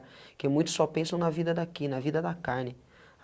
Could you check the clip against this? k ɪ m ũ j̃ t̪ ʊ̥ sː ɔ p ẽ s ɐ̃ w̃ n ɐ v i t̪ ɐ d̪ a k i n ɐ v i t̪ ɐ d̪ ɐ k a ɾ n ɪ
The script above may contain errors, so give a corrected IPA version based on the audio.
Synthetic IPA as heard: k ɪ m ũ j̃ t̪ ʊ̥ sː ɔ p ẽ s ɐ̃ w̃ n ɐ v i d̪ ɐ d̪ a k i n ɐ v i d̪ ɐ d̪ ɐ k a ɾ n ɪ